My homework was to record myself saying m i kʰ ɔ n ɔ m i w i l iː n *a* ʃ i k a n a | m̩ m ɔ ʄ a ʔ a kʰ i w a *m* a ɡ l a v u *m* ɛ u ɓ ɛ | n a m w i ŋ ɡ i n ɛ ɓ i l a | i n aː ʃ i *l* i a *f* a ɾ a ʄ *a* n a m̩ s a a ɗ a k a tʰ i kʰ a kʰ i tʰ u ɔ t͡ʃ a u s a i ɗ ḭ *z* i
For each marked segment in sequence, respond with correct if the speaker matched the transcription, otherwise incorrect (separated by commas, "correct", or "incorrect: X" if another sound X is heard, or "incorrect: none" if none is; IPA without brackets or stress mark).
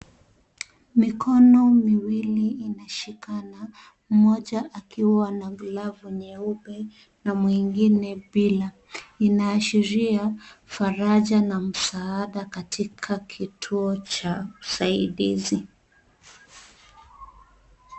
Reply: correct, incorrect: n, incorrect: ɲ, incorrect: ɾ, correct, correct, correct